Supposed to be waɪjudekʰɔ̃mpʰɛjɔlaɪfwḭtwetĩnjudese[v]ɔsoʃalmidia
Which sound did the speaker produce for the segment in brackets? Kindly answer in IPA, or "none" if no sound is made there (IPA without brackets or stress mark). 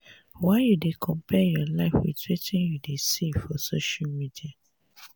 f